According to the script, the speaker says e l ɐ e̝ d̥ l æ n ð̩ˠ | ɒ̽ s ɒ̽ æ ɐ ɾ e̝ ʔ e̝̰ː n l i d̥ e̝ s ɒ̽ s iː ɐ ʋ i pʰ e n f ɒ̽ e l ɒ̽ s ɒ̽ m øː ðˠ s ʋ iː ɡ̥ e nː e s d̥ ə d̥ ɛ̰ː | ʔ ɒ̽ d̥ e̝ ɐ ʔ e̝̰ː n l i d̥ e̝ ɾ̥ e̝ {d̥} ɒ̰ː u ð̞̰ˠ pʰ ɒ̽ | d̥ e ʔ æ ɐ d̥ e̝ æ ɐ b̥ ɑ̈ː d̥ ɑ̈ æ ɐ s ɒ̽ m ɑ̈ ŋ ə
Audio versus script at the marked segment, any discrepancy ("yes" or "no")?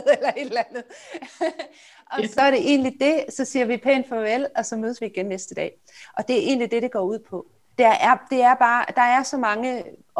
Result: yes